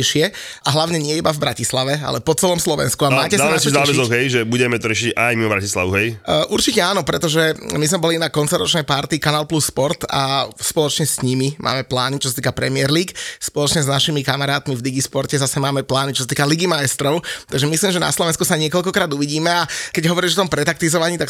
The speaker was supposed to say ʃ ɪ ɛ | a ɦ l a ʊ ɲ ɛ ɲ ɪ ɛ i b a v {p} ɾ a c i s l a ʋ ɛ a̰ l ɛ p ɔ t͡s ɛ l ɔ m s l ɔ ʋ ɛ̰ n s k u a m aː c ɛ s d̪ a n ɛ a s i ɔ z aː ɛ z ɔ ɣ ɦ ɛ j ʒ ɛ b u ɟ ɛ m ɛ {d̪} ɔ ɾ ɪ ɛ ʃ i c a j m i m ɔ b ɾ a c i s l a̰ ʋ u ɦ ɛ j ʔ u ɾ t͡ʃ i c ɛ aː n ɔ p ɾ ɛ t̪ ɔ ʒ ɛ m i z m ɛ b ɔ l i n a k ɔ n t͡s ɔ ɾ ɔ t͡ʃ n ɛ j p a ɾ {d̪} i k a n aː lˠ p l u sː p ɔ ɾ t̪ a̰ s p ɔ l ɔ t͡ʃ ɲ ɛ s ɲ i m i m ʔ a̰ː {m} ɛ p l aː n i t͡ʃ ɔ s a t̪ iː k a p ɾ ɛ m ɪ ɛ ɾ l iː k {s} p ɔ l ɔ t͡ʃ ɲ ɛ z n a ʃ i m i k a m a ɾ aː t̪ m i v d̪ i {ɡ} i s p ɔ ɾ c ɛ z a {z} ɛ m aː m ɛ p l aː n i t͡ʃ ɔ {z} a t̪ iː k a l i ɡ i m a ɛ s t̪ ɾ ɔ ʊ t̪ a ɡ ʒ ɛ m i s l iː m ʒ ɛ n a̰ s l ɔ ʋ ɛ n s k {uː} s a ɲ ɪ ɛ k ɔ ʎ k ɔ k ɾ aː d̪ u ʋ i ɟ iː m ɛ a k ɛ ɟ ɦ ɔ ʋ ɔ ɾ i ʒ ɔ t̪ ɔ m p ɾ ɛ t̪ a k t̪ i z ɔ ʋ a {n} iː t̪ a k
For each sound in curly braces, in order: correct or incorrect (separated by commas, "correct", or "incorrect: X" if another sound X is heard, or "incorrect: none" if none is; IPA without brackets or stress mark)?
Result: incorrect: b, incorrect: t̪, incorrect: t̪, correct, correct, correct, incorrect: s, incorrect: s, incorrect: u, incorrect: ɲ